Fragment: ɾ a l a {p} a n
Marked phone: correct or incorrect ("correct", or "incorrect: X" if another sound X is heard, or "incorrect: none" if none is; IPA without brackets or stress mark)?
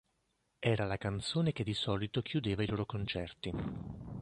incorrect: k